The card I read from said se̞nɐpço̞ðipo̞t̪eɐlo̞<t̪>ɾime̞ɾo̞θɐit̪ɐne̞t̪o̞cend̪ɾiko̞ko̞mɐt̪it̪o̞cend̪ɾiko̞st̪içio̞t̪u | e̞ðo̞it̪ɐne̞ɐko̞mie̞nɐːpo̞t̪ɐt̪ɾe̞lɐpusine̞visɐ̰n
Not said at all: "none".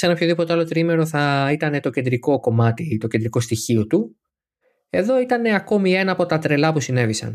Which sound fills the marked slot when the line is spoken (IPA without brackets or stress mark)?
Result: t̪